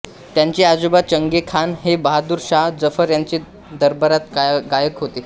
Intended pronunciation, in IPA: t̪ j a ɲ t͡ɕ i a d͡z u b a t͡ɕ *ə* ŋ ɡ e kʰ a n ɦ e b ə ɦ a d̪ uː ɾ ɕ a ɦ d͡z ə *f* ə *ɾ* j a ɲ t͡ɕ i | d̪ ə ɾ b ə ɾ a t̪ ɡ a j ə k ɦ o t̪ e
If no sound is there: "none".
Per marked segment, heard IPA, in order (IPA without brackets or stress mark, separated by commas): ə, f, ɾ